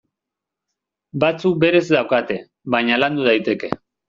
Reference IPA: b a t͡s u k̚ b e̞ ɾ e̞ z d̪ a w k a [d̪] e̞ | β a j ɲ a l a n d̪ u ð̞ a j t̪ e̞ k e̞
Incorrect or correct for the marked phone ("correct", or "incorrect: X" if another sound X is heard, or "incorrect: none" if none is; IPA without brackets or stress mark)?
incorrect: t̪